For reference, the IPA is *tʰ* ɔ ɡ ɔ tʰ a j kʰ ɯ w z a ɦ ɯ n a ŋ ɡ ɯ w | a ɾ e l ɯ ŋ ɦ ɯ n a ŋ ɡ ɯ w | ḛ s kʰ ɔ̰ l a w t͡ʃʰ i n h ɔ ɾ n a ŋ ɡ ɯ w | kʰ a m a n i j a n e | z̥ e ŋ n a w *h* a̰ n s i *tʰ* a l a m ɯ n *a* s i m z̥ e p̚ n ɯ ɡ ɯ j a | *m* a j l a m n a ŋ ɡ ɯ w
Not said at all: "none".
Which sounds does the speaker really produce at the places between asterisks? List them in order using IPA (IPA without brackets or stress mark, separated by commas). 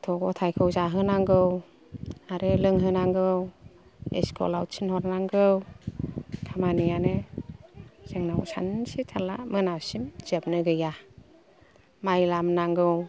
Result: tʰ, s, tʰ, a, m